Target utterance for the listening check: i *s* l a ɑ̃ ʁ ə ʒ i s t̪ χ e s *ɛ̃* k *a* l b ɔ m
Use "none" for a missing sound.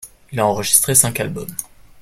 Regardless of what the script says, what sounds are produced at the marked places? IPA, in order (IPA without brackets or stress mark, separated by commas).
none, ɛ̃, a